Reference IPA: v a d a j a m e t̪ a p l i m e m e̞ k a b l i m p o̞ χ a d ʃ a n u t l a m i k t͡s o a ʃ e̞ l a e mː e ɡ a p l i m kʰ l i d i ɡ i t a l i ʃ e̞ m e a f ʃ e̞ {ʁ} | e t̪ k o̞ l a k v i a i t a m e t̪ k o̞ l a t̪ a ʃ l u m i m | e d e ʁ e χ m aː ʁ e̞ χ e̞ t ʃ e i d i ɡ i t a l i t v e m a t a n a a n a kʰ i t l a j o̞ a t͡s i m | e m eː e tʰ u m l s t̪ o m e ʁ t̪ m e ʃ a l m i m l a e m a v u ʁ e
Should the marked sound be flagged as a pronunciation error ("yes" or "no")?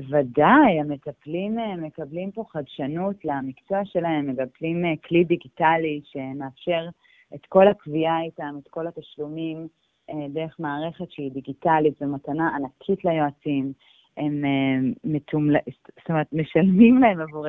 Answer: no